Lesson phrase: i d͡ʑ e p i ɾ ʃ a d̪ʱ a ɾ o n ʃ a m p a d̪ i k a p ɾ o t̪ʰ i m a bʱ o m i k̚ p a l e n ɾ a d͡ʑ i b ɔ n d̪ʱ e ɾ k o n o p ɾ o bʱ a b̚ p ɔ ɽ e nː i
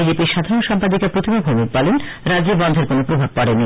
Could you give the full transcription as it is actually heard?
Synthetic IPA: i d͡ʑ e p i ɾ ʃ a d̪ʱ a ɾ o n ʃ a m p a d̪ i k a p ɾ o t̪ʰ i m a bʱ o m i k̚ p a l e n ɾ a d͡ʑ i b ɔ n d̪ʱ e ɾ k o n o p ɾ o bʱ a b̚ p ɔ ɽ e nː i